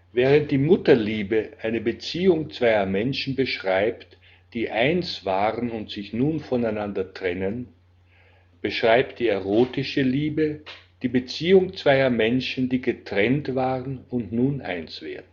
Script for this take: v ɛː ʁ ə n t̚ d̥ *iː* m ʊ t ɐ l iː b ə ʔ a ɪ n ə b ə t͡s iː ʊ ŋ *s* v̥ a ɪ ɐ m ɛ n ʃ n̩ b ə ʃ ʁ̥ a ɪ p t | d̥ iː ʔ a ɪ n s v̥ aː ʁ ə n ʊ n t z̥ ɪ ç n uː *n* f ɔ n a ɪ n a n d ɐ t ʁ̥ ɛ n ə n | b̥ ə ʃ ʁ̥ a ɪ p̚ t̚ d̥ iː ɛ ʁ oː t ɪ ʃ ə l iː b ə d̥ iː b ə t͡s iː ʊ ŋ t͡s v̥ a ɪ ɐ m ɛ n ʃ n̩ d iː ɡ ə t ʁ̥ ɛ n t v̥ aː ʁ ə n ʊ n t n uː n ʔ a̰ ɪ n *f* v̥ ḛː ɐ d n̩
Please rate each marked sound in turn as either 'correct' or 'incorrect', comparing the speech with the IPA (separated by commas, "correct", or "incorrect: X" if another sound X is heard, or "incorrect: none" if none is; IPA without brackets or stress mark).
correct, incorrect: t͡s, correct, incorrect: s